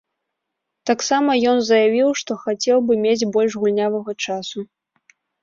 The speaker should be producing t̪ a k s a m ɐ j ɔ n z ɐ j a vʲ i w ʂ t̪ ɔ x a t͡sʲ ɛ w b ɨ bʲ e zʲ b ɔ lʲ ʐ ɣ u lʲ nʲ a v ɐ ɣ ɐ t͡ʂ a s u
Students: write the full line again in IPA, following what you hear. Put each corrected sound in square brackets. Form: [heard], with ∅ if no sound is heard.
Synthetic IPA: t̪ a k s a m ɐ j ɔ n z ɐ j a vʲ i w ʂ t̪ ɔ x a t͡sʲ ɛ w b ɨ [mʲ] e [d͡zʲ] b ɔ lʲ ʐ ɣ u lʲ nʲ a v ɐ ɣ ɐ t͡ʂ a s u